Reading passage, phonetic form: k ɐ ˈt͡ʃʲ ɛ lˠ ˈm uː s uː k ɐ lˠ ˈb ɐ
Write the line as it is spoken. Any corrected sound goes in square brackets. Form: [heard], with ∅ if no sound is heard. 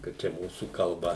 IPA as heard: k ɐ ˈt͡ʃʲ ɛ [∅] ˈm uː s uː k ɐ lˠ ˈb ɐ

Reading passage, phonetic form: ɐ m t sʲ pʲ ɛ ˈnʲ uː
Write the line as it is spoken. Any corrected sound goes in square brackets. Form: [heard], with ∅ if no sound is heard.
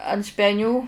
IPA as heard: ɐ [n] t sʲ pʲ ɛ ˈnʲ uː

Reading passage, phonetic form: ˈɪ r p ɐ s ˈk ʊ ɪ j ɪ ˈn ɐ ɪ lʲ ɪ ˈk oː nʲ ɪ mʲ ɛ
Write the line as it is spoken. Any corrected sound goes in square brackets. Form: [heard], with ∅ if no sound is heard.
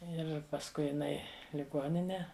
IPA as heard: ˈɪ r p ɐ s ˈk ʊ ɪ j ɪ ˈn ɐ ɪ lʲ ɪ [ˈɡ] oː nʲ ɪ [nʲ] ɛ

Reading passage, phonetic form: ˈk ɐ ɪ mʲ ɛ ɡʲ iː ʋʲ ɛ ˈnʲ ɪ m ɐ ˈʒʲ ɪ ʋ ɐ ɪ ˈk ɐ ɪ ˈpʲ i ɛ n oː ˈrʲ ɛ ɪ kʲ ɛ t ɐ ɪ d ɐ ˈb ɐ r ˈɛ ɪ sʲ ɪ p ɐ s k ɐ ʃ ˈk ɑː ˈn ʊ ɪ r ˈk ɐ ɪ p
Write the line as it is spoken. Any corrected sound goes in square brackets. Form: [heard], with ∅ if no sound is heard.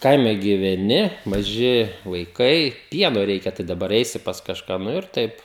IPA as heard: ˈk ɐ ɪ mʲ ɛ ɡʲ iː ʋʲ ɛ ˈnʲ ɪ m ɐ ˈʒʲ ɪ ʋ ɐ ɪ ˈk ɐ ɪ ˈpʲ i ɛ n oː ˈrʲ ɛ ɪ kʲ ɛ t ɐ ɪ d ɐ ˈb ɐ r ˈɛ ɪ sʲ ɪ p ɐ s k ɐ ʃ ˈk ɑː ˈn ʊ ɪ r [ˈt] ɐ ɪ p

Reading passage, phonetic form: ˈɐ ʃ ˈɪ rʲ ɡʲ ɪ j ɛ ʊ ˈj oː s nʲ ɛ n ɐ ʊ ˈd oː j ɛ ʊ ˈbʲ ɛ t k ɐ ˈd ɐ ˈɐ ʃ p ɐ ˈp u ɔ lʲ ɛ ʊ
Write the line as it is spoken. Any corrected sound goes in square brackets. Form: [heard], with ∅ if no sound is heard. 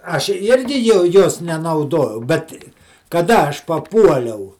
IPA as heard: ˈɐ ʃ ˈɪ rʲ ɡʲ ɪ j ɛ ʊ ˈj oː s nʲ ɛ n ɐ ʊ ˈd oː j ɛ ʊ ˈbʲ ɛ t k ɐ ˈd ɐ ˈɐ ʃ p ɐ ˈp u ɔ lʲ ɛ ʊ

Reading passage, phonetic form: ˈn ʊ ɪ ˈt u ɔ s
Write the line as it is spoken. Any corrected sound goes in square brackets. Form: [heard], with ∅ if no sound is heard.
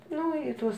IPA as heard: ˈn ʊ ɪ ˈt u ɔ s

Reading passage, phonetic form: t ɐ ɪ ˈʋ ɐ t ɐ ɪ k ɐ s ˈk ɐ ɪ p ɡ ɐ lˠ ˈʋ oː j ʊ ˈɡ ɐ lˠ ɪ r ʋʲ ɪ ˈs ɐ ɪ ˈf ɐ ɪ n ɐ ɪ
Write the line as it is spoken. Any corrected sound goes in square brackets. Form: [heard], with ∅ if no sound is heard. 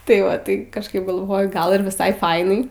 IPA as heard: t ɐ ɪ ˈʋ ɐ t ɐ ɪ k ɐ [ʃ] ˈk ɐ ɪ p ɡ ɐ lˠ ˈʋ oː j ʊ ˈɡ ɐ lˠ ɪ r ʋʲ ɪ ˈs ɐ ɪ ˈf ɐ ɪ n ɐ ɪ

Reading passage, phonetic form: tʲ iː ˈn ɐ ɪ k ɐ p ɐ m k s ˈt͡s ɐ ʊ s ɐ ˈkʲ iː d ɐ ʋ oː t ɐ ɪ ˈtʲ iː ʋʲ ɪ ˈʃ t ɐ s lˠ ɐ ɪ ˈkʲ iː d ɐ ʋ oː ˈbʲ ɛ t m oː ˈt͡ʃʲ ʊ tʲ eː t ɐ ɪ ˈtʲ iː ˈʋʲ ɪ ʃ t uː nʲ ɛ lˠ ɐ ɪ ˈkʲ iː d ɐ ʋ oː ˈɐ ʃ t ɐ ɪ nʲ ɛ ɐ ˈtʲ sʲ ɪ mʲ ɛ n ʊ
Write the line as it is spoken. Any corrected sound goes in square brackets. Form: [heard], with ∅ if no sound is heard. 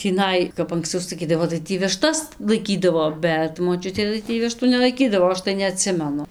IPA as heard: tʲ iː ˈn ɐ ɪ k ɐ p ɐ [ŋ] k s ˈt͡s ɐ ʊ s ɐ ˈkʲ iː d ɐ ʋ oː t ɐ ɪ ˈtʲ iː ʋʲ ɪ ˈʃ t ɐ s lˠ ɐ ɪ ˈkʲ iː d ɐ ʋ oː ˈbʲ ɛ t m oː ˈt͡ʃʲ ʊ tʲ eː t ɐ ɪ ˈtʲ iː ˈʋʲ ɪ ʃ t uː nʲ ɛ lˠ ɐ ɪ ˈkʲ iː d ɐ ʋ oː ˈɐ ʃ t ɐ ɪ nʲ ɛ ɐ ˈtʲ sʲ ɪ mʲ ɛ n ʊ

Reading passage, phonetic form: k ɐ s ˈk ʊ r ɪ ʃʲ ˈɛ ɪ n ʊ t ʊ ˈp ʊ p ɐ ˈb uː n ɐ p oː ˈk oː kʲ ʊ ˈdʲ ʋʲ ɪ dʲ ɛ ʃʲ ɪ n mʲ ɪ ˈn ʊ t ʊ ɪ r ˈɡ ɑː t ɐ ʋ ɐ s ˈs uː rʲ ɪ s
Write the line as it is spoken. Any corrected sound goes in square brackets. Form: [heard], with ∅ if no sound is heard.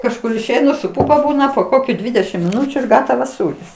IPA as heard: k ɐ [ʃ] ˈk ʊ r ɪ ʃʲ ˈɛ ɪ n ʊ [s] ʊ ˈp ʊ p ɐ ˈb uː n ɐ p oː ˈk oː kʲ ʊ ˈdʲ ʋʲ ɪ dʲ ɛ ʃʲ ɪ [m] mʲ ɪ ˈn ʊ [t͡ʃʲ] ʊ ɪ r ˈɡ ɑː t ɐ ʋ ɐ s ˈs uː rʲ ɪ s

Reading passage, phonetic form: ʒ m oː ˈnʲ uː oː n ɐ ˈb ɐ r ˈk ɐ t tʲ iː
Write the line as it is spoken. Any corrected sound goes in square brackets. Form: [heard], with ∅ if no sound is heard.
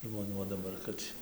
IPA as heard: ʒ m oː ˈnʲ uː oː [d] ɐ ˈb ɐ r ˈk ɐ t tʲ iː

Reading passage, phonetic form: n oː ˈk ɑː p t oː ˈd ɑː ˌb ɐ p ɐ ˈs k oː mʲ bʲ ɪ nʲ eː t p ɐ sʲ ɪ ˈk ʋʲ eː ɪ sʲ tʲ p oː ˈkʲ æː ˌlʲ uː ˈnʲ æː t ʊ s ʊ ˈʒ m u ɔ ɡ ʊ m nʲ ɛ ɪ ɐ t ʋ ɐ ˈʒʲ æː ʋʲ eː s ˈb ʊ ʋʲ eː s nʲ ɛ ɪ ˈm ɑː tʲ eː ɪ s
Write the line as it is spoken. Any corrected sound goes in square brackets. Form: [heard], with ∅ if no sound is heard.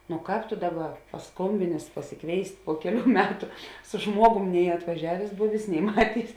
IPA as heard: n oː ˈk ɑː p t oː ˈd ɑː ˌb ɐ p ɐ ˈs k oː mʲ bʲ ɪ nʲ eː [s] p ɐ sʲ ɪ ˈk ʋʲ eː ɪ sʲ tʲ p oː ˈkʲ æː ˌlʲ uː [ˈmʲ] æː t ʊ s ʊ ˈʒ m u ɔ ɡ ʊ m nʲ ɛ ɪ ɐ t ʋ ɐ ˈʒʲ æː ʋʲ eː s ˈb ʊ ʋʲ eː s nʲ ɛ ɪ ˈm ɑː tʲ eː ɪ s

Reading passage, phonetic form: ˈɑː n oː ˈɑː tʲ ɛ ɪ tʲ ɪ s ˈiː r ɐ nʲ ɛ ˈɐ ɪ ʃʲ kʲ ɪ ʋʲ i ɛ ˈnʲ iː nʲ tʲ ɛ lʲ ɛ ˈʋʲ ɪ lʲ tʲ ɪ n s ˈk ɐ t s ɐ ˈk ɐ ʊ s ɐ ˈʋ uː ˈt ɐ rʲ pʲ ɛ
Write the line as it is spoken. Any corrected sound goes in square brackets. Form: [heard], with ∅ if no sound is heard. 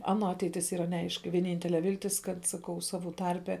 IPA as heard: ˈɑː n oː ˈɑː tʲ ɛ ɪ tʲ ɪ s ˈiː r ɐ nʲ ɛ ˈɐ ɪ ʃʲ kʲ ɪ ʋʲ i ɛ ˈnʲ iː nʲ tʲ ɛ lʲ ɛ ˈʋʲ ɪ lʲ tʲ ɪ [∅] s ˈk ɐ t s ɐ ˈk ɐ ʊ s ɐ ˈʋ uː ˈt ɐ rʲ pʲ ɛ

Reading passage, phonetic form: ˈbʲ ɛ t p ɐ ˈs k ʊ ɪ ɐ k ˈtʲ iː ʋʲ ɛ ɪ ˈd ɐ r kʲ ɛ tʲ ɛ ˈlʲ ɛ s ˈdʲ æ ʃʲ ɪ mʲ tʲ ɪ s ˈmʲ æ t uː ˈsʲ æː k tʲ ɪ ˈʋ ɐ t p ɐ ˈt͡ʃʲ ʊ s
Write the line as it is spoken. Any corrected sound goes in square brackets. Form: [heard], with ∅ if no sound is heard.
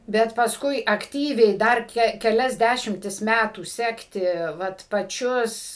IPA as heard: ˈbʲ ɛ t p ɐ ˈs k ʊ ɪ ɐ k ˈtʲ iː ʋʲ ɛ ɪ ˈd ɐ r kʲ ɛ [kʲ] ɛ ˈlʲ ɛ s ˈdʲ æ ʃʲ ɪ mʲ tʲ ɪ s ˈmʲ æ t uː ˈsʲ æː k tʲ ɪ ˈʋ ɐ t p ɐ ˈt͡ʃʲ ʊ s

